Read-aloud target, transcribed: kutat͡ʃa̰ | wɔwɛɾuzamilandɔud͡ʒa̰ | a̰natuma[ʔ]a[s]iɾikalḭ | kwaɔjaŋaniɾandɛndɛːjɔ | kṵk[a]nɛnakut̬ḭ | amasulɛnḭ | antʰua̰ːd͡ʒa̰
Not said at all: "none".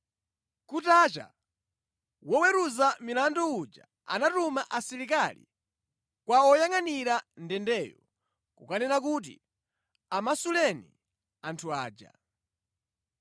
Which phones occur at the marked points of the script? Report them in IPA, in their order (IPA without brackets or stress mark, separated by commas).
ʔ, s, a